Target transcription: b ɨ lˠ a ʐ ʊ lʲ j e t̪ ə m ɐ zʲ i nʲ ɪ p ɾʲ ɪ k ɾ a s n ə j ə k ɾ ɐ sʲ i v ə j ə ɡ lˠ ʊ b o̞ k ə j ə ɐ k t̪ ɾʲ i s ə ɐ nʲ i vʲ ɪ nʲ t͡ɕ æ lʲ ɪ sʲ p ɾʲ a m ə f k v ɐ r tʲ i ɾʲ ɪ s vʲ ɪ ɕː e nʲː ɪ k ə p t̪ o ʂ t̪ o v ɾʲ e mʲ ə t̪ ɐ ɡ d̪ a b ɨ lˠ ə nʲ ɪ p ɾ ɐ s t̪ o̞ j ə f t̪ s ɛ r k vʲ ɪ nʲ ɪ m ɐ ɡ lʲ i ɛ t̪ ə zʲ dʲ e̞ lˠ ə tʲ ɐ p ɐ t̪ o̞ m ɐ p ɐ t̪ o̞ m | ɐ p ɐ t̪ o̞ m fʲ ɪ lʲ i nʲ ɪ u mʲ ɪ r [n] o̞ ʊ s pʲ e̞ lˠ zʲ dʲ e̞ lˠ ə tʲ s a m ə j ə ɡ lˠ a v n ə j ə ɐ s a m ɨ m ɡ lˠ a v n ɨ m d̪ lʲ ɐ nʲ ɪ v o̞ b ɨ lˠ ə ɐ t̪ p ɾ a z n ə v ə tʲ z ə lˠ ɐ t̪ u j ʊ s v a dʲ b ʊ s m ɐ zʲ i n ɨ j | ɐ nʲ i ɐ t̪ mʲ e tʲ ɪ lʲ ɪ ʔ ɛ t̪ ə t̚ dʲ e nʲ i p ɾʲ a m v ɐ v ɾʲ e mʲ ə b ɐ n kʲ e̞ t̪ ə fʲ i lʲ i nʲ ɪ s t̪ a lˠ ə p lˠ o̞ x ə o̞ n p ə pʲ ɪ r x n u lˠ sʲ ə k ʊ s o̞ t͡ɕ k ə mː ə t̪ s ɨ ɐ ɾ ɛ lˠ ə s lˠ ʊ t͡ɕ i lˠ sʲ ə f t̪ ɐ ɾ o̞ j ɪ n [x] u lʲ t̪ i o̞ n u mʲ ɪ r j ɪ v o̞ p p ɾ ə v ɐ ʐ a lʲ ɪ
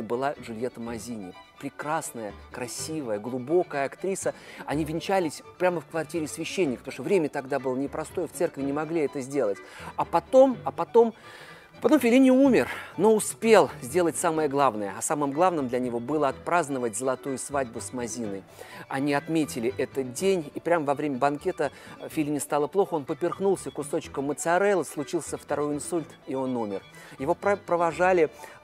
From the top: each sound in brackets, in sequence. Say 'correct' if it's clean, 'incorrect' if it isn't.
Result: correct, incorrect: s

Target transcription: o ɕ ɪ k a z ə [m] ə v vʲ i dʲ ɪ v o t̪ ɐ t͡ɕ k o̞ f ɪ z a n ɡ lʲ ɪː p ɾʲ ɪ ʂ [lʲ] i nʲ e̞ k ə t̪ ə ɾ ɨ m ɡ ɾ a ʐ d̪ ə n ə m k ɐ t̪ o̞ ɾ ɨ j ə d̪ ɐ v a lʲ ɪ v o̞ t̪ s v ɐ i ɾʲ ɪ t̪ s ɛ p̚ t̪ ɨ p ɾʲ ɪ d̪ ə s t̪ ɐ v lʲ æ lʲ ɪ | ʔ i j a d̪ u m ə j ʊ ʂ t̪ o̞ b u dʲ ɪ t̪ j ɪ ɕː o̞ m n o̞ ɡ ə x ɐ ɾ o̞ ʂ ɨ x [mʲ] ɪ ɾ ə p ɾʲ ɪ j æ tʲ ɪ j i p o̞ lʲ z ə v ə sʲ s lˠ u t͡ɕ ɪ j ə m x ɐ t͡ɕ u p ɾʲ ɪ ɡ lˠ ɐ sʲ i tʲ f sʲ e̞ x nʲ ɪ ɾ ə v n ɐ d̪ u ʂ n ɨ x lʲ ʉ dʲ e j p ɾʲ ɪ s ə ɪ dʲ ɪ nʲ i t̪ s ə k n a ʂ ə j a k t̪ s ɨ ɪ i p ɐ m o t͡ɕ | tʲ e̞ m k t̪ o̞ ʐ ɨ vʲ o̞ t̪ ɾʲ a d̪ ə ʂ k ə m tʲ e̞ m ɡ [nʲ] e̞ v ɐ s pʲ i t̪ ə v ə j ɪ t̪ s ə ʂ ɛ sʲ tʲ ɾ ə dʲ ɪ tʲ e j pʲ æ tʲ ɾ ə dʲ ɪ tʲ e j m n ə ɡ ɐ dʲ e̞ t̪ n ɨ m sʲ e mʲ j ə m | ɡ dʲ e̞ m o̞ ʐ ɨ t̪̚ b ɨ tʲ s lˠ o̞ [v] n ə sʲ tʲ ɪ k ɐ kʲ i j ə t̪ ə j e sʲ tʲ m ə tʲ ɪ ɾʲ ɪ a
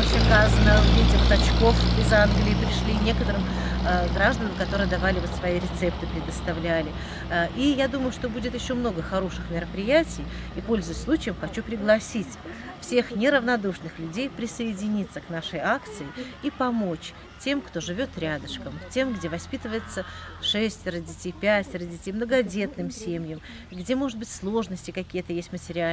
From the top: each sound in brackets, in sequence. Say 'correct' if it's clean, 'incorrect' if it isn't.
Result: incorrect: n, correct, correct, incorrect: dʲ, incorrect: ʐ

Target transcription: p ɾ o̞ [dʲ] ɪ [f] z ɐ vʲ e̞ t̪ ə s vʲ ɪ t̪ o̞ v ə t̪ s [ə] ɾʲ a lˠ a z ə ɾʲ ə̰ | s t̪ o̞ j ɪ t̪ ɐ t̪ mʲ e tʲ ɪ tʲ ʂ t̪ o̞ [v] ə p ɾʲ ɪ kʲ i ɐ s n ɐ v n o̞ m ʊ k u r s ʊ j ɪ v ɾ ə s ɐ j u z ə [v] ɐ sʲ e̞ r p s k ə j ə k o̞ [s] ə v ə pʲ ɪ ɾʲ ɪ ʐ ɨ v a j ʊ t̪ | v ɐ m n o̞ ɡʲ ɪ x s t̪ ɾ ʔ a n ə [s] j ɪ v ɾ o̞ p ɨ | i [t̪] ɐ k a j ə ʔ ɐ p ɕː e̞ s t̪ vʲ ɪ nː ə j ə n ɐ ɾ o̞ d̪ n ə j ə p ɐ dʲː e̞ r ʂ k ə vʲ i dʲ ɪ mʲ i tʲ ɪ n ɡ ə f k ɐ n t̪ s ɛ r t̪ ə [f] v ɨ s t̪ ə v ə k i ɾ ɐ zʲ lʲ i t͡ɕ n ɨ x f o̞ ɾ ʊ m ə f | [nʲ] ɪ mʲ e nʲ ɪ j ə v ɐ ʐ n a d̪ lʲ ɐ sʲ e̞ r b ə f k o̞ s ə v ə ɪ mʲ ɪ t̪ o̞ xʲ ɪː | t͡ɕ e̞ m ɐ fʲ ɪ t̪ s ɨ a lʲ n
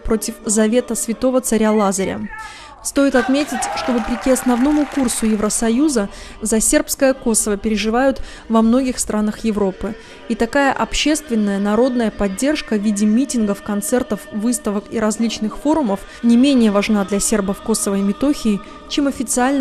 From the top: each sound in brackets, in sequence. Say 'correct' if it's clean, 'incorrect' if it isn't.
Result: incorrect: tʲ, correct, incorrect: ɐ, correct, incorrect: z, correct, incorrect: x, correct, correct, correct

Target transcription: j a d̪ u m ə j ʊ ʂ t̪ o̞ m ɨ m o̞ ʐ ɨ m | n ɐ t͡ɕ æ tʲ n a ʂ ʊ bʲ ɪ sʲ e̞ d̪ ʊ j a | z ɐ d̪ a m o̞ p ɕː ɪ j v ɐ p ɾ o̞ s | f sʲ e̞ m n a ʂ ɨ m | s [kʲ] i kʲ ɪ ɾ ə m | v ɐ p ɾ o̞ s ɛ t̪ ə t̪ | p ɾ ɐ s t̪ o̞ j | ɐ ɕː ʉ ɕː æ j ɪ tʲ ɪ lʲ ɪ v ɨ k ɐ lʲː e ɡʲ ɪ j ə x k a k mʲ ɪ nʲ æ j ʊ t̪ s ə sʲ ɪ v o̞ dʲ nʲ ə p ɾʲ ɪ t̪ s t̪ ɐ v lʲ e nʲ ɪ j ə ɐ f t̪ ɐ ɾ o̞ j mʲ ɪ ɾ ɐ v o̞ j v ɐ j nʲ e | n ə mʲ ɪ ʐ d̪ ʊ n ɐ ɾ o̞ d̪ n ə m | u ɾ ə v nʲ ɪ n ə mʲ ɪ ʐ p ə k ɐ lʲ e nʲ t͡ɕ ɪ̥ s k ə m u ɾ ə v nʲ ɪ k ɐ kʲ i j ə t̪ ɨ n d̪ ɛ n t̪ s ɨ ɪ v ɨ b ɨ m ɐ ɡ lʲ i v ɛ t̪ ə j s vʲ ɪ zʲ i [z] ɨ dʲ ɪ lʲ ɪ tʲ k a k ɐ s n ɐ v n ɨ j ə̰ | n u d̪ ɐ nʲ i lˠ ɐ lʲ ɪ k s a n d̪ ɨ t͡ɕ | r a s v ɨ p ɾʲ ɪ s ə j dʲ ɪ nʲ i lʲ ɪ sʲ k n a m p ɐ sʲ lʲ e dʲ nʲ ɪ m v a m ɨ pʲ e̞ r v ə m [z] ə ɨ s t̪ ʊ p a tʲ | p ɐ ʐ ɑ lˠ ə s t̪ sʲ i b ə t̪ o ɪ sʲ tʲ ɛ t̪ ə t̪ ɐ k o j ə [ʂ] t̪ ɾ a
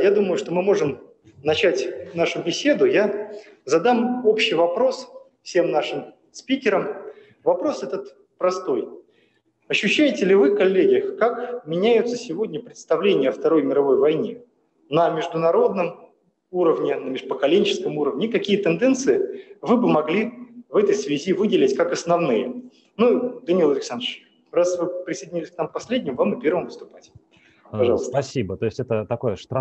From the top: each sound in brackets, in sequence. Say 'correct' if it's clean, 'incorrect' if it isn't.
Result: incorrect: pʲ, incorrect: v, incorrect: v, correct

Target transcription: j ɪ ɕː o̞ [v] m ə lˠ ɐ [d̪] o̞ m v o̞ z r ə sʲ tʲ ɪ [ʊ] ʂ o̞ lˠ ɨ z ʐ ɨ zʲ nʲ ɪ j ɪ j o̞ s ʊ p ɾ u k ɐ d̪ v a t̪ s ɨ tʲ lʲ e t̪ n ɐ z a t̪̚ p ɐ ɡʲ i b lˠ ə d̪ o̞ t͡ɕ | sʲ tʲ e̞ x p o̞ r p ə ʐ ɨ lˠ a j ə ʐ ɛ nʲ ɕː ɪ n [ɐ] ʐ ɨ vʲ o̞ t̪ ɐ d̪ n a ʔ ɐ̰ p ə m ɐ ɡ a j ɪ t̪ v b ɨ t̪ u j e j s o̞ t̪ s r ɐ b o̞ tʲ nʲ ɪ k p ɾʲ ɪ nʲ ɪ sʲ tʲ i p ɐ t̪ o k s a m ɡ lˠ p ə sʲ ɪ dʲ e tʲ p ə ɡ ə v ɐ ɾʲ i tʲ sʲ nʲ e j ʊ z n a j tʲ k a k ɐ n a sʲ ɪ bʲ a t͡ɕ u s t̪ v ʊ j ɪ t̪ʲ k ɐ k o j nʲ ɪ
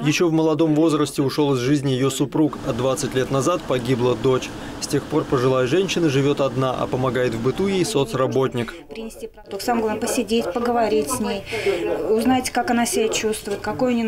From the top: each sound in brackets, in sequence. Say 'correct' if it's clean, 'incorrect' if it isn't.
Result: correct, correct, correct, incorrect: ə

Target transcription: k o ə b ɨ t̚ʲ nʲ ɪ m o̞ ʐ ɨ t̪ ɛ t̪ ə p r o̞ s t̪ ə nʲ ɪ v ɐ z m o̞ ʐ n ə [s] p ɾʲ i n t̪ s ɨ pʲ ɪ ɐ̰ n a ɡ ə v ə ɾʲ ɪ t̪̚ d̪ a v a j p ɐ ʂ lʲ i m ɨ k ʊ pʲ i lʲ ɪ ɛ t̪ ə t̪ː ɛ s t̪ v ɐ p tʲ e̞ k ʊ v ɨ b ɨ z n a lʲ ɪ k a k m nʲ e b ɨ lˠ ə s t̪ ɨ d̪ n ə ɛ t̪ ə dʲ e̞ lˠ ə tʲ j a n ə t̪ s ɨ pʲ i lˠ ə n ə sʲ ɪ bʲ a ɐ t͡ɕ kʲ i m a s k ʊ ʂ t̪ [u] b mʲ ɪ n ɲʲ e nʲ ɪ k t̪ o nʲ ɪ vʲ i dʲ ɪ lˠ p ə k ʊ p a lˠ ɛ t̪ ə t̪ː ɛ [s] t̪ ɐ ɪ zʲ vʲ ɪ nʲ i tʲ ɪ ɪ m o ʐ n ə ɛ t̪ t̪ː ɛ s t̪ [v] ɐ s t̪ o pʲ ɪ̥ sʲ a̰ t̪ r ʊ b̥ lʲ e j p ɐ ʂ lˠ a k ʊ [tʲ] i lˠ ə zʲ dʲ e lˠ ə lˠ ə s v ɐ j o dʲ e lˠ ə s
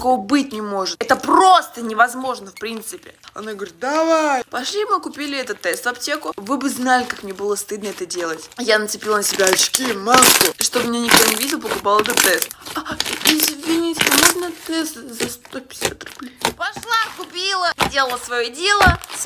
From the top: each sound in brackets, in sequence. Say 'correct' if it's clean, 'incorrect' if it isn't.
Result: incorrect: f, incorrect: o, correct, incorrect: z, incorrect: pʲ

